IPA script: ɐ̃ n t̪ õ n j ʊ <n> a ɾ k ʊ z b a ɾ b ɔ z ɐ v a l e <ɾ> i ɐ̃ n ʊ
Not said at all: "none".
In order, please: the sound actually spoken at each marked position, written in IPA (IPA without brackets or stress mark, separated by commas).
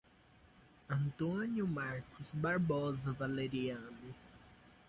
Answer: m, ɾ